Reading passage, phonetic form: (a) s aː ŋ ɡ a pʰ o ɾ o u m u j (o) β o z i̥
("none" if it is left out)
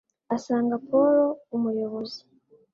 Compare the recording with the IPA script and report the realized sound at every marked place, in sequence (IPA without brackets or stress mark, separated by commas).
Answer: a, o